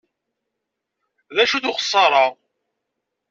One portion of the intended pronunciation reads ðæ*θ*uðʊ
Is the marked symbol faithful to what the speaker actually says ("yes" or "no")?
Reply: no